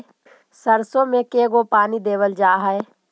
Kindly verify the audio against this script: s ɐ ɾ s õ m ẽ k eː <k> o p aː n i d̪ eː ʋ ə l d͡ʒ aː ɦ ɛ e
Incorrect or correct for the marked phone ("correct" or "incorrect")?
incorrect